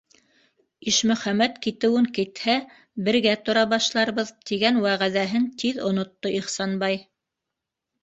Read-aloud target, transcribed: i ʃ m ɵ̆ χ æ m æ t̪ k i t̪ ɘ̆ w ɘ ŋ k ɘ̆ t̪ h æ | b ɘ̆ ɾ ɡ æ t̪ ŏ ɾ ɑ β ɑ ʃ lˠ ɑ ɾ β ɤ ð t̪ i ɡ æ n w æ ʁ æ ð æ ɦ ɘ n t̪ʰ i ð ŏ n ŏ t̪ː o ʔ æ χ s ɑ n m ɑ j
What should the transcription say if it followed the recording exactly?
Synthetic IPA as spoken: i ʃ m ɵ̆ χ æ m æ t̪ k i t̪ ɘ̆ w ɘ ŋ k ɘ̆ t̪ h æ | b ɘ̆ ɾ ɡ æ t̪ ŏ ɾ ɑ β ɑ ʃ lˠ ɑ ɾ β ɤ ð t̪ i ɡ æ n w æ ʁ æ ð æ ɦ ɘ n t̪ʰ i ð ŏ n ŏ t̪ː o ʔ i χ s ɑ n b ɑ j